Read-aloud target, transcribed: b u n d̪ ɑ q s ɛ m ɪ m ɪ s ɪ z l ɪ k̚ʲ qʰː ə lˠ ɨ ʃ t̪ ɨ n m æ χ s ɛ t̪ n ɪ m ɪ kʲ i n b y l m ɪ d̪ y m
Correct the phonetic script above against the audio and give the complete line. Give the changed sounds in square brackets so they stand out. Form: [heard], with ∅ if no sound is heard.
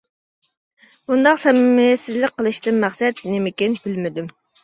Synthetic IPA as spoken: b u n d̪ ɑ q s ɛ m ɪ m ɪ s ɪ z l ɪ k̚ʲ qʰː ə lˠ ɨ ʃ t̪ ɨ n m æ χ s ɛ t̪ n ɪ m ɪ kʲ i n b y l m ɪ d̪ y m